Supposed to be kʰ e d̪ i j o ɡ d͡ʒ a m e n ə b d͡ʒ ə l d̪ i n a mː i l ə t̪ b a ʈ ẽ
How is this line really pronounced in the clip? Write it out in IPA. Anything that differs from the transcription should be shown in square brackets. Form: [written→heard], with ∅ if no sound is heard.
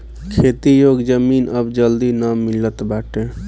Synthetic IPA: kʰ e [d̪→t̪] i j o ɡ d͡ʒ [a→ə] m [e→i] n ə b d͡ʒ ə l d̪ i n a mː i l ə t̪ b a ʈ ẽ

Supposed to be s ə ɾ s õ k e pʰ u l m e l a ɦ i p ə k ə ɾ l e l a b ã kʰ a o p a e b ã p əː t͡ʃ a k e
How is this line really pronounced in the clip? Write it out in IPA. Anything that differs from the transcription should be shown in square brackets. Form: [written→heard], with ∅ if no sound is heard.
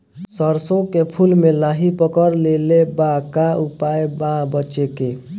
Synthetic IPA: s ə ɾ s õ k e pʰ u l m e l a ɦ i p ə k ə ɾ l e l [a→e] b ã [kʰ→k] a [o→u] p a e b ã [p→b] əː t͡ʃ [a→e] k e

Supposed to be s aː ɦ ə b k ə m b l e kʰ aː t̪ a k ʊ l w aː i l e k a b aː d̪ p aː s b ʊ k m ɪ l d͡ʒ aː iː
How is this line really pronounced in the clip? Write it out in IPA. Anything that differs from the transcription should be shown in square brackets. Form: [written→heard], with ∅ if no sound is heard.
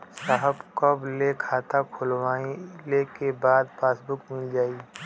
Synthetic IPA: s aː ɦ ə b k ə [m→∅] b l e kʰ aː t̪ a [k→kʰ] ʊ l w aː i l e k [a→e] b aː d̪ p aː s b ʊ k m ɪ l d͡ʒ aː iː

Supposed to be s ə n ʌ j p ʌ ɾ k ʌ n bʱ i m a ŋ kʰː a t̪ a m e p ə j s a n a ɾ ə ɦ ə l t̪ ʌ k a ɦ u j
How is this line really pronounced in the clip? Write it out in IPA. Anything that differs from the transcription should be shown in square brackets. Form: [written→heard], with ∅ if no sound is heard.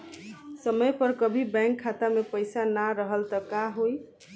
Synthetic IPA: s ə [n→m] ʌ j p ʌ ɾ k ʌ [n→∅] bʱ i [m→b] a ŋ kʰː a t̪ a m e p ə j s a n a ɾ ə ɦ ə l t̪ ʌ k a ɦ [u→o] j

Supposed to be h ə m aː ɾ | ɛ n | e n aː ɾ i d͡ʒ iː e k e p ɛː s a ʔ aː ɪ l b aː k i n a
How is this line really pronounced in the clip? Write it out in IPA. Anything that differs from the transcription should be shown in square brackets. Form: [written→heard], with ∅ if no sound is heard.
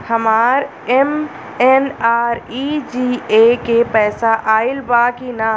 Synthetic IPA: h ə m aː ɾ | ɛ [n→m] | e n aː ɾ i d͡ʒ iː e k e p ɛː s a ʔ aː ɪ l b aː k i n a

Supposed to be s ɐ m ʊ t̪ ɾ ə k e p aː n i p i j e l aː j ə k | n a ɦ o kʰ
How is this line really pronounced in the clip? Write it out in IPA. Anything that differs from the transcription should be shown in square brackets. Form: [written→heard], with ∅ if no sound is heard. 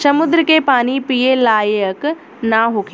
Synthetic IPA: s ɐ m ʊ [t̪→d̪] ɾ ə k e p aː n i p i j e l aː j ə k | n a ɦ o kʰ

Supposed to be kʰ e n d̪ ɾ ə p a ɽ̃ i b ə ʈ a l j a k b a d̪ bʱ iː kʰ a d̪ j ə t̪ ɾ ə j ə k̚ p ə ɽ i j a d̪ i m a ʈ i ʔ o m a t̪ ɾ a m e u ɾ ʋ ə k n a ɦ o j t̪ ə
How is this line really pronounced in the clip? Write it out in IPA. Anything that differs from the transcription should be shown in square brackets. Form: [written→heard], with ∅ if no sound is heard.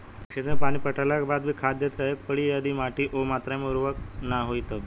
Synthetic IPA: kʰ e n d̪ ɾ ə p a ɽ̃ i [b→p] ə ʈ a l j a k b a d̪ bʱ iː kʰ a d̪ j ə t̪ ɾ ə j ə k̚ p ə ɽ i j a d̪ i m a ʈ i ʔ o m a t̪ ɾ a m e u ɾ ʋ ə k n a ɦ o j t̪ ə

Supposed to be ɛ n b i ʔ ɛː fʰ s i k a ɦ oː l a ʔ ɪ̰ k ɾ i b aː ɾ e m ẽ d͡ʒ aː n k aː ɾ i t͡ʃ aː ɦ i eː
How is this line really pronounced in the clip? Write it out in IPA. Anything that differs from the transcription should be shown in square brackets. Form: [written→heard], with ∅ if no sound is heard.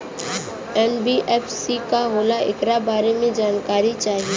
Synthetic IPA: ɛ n b i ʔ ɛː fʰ s i k a ɦ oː l a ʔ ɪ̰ k ɾ [i→a] b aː ɾ e m ẽ d͡ʒ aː n k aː ɾ i t͡ʃ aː ɦ i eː

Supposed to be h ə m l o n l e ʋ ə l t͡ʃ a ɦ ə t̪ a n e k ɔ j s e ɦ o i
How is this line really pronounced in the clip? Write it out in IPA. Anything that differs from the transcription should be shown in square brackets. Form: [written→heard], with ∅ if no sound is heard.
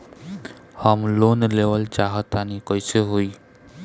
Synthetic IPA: h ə m l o n l e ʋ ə l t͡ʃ a ɦ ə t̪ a n [e→i] k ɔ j s e ɦ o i

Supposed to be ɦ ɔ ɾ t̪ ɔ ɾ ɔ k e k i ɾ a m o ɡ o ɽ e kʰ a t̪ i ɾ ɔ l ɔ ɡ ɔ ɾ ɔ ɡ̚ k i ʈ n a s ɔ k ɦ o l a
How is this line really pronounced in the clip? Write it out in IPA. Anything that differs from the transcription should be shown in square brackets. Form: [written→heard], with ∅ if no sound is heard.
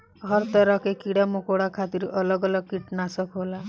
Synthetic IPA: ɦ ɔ ɾ t̪ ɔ ɾ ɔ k e k i [ɾ→ɽ] a m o [ɡ→k] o ɽ [e→a] kʰ a t̪ i ɾ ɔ l ɔ ɡ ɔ [ɾ→l] ɔ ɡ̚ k i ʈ n a s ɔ k ɦ o l a

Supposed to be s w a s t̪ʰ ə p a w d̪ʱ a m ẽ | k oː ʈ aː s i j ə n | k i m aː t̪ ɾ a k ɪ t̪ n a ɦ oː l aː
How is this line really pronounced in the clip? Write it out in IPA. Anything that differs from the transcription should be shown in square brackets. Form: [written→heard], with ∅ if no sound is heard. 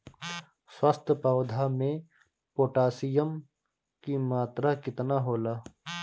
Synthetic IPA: s w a s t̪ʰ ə p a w d̪ʱ a m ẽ | [k→p] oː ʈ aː s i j ə [n→m] | k i m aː t̪ ɾ a k ɪ t̪ n a ɦ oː l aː

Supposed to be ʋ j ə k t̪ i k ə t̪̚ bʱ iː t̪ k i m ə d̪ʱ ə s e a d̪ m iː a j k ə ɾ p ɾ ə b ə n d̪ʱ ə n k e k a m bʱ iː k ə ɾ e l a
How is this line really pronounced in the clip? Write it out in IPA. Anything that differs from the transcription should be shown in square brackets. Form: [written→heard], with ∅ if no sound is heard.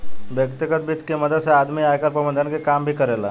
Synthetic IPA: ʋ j ə k t̪ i k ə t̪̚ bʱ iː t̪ k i m ə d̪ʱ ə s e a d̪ m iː a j k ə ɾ p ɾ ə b ə n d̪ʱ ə n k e k a m bʱ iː k ə ɾ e l a

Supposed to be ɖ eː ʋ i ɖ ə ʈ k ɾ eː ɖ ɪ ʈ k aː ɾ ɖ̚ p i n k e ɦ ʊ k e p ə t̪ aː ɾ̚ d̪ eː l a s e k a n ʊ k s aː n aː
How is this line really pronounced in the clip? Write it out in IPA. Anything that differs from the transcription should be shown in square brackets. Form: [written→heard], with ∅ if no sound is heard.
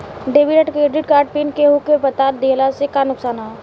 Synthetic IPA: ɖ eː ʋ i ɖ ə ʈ k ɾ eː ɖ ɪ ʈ k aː ɾ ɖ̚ p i n k e ɦ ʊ k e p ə t̪ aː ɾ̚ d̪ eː l a s e k a n ʊ k s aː n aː

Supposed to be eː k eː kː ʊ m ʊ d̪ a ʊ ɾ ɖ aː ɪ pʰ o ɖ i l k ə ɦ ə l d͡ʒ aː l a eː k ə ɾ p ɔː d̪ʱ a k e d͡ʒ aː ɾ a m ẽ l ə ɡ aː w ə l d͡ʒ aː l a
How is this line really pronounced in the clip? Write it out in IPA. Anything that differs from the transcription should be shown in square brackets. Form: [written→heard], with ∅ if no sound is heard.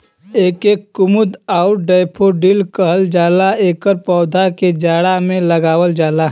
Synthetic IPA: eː k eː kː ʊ m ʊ d̪ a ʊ ɾ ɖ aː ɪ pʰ o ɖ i l k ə ɦ ə l d͡ʒ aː l a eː k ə ɾ p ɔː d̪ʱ a k e d͡ʒ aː [ɾ→ɽ] a m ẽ l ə ɡ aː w ə l d͡ʒ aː l a

